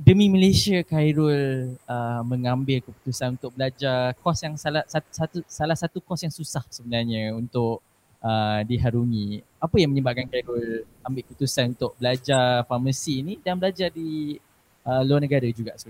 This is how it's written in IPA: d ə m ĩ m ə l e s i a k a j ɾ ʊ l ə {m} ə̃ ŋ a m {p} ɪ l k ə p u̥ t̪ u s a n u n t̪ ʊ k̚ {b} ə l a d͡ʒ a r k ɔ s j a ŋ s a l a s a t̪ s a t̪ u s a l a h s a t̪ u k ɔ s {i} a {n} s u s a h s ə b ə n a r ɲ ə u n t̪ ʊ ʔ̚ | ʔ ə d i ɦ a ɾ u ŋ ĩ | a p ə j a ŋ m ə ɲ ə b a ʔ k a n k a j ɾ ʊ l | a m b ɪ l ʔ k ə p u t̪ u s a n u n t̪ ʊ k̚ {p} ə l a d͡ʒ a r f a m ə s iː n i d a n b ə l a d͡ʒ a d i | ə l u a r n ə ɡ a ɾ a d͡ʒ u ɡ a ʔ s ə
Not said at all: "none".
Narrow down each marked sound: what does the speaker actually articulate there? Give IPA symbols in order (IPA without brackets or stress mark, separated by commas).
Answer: m, b, b, j, ŋ, b